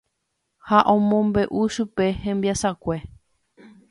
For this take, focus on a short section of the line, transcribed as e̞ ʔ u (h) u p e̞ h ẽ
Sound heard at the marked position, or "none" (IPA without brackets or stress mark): ʃ